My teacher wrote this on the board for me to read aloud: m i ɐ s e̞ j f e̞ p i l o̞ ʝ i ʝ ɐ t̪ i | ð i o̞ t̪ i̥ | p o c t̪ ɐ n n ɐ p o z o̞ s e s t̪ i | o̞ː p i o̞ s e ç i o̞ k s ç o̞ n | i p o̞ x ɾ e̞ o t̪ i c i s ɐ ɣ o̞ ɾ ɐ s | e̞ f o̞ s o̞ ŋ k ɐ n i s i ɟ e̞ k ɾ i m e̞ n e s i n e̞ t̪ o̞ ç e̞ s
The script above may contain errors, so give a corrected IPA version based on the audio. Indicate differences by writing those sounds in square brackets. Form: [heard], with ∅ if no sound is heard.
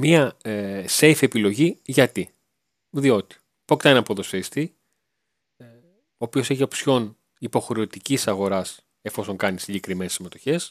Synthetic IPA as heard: m i ɐ s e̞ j f e̞ p i l o̞ ʝ i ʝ ɐ t̪ i | ð i o̞ t̪ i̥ | p o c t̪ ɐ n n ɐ p o [ð] o̞ s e s t̪ i | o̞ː p i o̞ s e ç i o̞ [p] s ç o̞ n | i p o̞ x ɾ e̞ o t̪ i c i s ɐ ɣ o̞ ɾ ɐ s | e̞ f o̞ s o̞ ŋ k ɐ n i s i ɟ e̞ k ɾ i m e̞ n e s i [m] e̞ t̪ o̞ ç e̞ s